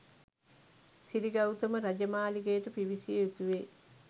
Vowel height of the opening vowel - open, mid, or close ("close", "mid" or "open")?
close